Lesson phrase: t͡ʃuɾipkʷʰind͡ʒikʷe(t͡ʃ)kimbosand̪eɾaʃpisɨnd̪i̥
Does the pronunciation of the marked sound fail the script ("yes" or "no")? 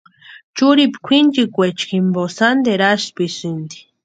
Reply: no